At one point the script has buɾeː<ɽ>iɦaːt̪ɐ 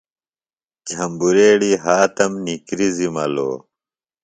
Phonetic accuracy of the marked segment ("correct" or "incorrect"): correct